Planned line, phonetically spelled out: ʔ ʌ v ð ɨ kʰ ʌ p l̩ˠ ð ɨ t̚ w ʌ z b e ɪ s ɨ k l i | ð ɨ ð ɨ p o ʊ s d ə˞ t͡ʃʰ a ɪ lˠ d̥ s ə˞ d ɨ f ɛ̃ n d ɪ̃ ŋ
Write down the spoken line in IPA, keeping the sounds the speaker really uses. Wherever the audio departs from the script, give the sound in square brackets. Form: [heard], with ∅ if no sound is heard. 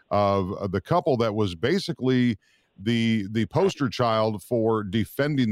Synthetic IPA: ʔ ʌ v ð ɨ kʰ ʌ p l̩ˠ ð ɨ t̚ w ʌ z b e ɪ s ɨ k l i | ð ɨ ð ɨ [pʰ] o ʊ s [t] ə˞ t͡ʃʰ a ɪ lˠ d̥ [f] ə˞ d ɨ f ɛ̃ n d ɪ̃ ŋ